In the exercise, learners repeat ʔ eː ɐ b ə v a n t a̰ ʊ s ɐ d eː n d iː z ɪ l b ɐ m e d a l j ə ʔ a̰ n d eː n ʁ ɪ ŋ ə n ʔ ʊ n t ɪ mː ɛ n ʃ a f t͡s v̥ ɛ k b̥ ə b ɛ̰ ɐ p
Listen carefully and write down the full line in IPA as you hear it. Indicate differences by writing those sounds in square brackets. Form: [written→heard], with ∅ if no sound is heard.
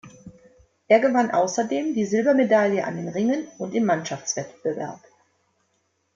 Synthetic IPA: ʔ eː ɐ [b→ɡ] ə v a n [t→ʔ] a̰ ʊ s ɐ d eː [n→m] d iː z ɪ l b ɐ m e d a l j ə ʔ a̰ n d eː n ʁ ɪ ŋ ə n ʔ ʊ n t ɪ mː [ɛ→a] n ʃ a f t͡s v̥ ɛ [k→t] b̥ ə [b→v] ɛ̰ ɐ p